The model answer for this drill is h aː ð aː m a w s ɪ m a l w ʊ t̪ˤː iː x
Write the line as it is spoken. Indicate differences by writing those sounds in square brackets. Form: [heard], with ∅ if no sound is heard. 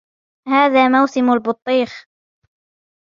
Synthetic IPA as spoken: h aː ð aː m a w s ɪ m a l [b] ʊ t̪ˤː iː x